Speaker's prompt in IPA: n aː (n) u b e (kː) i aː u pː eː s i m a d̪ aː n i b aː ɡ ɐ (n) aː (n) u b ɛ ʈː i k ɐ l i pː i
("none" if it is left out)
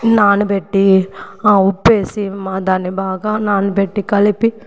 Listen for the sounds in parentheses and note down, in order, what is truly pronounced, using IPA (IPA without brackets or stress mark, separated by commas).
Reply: n, ʈː, n, n